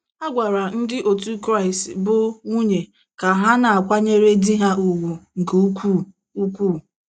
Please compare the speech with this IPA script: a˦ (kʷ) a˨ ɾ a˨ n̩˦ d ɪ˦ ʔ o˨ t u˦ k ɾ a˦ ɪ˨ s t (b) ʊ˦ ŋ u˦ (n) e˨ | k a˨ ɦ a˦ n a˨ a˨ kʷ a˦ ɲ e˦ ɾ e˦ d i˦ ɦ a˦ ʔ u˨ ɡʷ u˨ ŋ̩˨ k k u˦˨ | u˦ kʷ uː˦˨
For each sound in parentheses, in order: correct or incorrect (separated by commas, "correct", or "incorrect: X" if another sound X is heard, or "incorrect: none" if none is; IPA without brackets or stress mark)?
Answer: incorrect: ɡʷ, correct, incorrect: ɲ